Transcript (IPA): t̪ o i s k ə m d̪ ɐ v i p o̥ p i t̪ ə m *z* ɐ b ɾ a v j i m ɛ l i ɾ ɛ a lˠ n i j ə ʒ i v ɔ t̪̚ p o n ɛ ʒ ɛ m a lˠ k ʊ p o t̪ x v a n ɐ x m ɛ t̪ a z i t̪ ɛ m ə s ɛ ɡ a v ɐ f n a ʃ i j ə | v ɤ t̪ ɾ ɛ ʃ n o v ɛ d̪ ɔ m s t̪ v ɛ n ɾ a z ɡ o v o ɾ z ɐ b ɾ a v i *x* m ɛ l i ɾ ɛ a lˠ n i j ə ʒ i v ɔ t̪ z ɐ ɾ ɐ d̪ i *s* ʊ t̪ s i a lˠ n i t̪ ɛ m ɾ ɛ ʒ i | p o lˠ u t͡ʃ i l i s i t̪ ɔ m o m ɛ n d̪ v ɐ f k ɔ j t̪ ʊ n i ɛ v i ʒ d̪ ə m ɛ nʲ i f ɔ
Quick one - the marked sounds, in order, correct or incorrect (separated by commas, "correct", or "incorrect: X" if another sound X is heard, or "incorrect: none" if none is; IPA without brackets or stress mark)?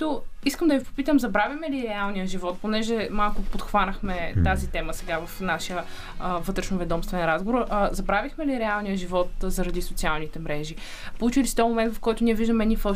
correct, correct, correct